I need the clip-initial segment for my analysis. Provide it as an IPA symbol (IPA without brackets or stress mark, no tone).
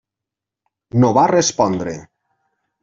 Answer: n